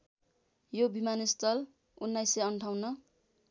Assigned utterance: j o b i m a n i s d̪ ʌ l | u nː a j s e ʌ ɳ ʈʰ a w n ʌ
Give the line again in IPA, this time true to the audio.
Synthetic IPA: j o b i m a n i s t̪ ʌ l | u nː a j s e ʌ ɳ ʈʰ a w n ʌ